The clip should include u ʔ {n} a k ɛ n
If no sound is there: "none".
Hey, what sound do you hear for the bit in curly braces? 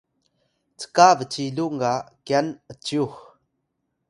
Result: ŋ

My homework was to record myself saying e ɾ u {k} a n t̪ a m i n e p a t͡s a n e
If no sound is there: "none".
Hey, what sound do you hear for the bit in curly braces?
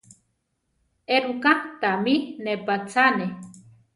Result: k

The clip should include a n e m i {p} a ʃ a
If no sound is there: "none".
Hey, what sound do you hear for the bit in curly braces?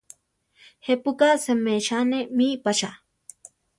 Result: p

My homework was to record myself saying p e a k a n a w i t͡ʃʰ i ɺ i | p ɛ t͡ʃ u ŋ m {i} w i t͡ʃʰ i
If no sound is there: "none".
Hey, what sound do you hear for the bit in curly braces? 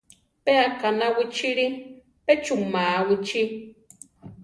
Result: a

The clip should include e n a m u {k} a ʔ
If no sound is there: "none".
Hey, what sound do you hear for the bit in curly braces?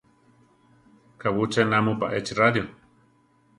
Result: p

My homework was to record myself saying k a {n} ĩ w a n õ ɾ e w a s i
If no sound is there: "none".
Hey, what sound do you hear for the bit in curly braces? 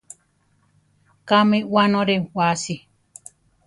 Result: m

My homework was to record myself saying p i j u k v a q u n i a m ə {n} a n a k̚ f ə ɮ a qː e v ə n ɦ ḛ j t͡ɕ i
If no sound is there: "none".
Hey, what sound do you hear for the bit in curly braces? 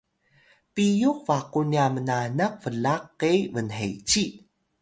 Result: n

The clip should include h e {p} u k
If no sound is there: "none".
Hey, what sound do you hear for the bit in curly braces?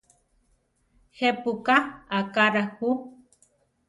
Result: p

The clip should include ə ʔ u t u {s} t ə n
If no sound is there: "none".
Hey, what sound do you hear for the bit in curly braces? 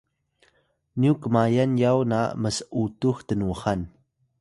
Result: x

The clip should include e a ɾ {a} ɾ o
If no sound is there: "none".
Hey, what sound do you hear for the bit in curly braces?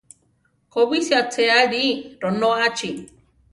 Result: i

